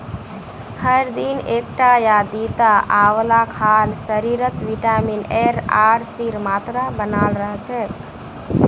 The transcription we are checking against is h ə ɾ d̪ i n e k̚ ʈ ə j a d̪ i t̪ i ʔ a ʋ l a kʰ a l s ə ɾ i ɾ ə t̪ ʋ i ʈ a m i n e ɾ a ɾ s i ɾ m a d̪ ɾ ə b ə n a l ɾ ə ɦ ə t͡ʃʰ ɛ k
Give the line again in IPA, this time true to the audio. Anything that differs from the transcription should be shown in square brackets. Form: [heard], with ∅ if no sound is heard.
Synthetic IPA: h ə ɾ d̪ i n e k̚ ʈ [a] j a d̪ i t̪ [a] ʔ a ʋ l a kʰ a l s ə ɾ i ɾ ə t̪ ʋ i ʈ a m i n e ɾ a ɾ s i ɾ m a [t̪] ɾ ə b ə n a l ɾ ə ɦ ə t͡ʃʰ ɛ k